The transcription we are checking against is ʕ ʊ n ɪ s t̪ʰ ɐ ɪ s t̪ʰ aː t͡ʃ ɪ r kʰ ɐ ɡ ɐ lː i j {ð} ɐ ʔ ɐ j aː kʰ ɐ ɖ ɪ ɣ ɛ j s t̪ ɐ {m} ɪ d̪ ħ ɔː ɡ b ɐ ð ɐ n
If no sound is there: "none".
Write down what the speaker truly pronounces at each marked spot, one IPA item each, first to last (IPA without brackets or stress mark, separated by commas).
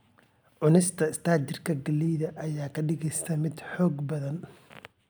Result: ð, m